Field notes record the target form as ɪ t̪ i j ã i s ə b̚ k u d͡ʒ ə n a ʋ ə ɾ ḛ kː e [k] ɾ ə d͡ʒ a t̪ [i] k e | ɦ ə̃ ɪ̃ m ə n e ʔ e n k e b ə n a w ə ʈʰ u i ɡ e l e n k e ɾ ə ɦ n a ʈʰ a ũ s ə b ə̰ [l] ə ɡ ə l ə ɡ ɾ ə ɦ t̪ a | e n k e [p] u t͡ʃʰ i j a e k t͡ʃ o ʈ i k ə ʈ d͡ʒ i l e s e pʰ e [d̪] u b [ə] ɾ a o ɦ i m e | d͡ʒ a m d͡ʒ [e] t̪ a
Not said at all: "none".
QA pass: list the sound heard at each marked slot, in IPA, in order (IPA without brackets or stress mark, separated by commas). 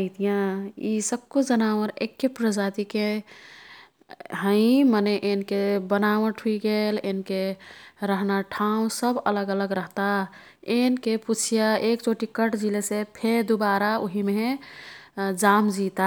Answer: p, i, l, p, d̪, a, i